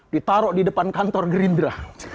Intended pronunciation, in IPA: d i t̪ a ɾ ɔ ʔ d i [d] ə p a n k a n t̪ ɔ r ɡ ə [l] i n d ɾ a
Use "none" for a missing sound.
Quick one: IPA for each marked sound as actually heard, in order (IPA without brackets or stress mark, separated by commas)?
d, ɾ